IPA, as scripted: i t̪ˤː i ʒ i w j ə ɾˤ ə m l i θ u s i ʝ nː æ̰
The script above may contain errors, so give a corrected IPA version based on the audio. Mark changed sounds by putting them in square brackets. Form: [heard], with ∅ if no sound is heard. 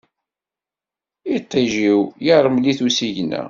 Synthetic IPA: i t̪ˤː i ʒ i w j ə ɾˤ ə m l i θ u s i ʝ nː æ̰